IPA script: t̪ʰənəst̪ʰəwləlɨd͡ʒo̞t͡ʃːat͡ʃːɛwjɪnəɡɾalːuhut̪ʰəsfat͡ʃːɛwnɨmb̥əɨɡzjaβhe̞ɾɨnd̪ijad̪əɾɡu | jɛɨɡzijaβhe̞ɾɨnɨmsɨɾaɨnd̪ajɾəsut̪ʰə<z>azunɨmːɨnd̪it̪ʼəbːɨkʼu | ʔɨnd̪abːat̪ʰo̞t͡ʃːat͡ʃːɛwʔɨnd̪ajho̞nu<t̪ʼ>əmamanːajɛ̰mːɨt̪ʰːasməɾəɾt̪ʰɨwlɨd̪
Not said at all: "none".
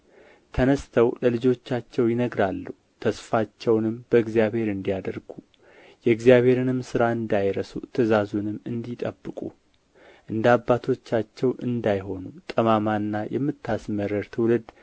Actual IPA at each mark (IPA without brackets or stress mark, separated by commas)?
z, t̪ʼ